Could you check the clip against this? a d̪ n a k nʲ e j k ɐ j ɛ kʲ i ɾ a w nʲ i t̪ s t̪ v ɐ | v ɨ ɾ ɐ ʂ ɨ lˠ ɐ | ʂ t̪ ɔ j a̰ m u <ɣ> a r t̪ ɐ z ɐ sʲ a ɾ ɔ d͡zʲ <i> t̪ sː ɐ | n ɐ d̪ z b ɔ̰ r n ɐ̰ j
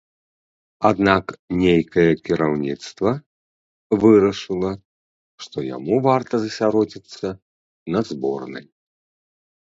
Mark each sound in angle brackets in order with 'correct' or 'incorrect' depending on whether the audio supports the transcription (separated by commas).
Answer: incorrect, correct